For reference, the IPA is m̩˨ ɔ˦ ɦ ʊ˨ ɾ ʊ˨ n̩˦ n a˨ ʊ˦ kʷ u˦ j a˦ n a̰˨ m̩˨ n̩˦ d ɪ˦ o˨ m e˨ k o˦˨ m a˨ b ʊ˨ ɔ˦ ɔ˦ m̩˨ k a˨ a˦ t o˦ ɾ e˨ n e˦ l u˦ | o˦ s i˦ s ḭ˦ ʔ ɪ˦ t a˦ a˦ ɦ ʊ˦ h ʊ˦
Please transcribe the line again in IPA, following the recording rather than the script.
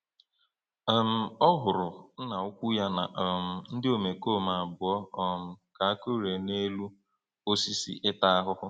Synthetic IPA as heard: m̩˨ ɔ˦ ɦ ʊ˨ ɾ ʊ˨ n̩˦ n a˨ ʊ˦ kʷ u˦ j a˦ n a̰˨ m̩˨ n̩˦ d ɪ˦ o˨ m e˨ k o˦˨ m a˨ b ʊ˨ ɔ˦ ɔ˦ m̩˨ k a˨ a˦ k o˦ ɾ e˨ n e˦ l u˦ | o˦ s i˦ s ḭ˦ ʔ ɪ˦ t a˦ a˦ ɦ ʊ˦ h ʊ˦